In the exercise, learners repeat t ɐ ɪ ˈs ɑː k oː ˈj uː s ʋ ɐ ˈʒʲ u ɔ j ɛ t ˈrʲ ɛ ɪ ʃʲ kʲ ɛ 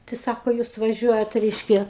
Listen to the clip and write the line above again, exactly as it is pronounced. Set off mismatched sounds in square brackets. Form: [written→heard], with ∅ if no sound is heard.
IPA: t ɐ ɪ ˈs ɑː k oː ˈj uː s ʋ ɐ ˈʒʲ u ɔ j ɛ t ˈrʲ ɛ ɪ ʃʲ kʲ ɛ